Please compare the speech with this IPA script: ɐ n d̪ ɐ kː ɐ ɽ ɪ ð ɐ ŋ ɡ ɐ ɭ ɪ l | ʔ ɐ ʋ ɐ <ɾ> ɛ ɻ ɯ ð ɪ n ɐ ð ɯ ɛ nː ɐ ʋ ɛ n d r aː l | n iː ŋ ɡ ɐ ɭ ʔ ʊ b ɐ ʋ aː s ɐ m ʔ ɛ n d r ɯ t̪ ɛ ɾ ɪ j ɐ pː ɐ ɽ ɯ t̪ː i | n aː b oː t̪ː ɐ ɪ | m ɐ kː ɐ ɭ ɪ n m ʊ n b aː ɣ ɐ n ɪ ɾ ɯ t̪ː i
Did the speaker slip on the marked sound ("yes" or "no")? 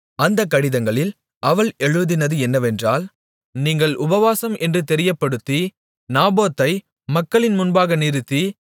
yes